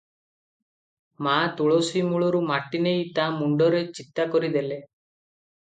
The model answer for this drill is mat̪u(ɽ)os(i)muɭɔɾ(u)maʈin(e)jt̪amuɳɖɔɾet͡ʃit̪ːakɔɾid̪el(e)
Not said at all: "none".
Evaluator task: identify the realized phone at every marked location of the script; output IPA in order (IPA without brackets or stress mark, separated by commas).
ɭ, i, u, e, e